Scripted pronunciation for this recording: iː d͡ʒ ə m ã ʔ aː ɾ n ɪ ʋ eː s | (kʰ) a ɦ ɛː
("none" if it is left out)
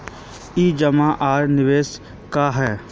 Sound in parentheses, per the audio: k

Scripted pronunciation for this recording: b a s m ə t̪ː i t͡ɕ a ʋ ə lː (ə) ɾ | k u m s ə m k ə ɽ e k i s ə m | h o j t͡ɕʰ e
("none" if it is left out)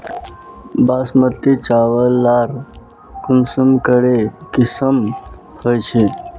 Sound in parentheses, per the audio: a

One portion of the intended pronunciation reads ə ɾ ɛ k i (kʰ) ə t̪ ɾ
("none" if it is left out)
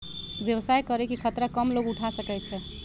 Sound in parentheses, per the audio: kʰ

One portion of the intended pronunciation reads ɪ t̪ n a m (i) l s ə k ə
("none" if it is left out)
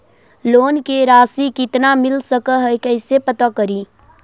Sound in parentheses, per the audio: ɪ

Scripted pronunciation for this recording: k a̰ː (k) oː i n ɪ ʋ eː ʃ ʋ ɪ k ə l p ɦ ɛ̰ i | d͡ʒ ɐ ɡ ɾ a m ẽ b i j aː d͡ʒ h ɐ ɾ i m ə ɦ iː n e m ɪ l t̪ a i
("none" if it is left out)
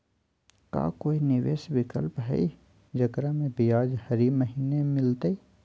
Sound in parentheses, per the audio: k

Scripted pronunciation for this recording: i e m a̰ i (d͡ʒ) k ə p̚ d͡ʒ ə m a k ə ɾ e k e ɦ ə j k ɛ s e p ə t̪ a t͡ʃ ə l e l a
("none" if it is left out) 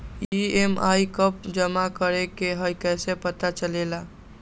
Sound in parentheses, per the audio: none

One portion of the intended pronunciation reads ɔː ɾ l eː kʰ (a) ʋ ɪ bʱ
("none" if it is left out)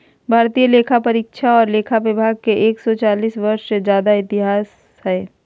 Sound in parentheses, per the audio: a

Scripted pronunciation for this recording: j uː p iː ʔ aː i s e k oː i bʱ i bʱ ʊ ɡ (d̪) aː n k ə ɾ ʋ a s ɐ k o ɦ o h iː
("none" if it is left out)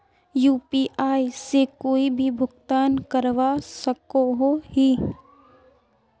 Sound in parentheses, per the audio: t̪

